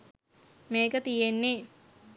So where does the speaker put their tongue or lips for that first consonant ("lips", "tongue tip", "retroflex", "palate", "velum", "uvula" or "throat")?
lips